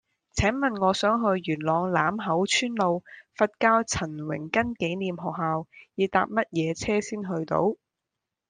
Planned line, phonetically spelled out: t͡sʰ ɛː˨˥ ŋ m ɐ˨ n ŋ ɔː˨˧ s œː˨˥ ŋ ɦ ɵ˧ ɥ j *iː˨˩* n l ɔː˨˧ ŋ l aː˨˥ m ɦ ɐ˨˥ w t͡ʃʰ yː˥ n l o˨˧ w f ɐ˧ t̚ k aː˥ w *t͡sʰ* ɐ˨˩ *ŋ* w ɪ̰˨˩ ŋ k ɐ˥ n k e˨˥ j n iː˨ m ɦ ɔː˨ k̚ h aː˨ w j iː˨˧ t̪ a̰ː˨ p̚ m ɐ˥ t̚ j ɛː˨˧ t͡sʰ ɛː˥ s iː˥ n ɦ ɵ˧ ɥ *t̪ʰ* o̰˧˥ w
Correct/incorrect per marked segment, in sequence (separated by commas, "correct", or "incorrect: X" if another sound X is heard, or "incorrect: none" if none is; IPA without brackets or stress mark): incorrect: yː˨˩, correct, incorrect: n, incorrect: t̪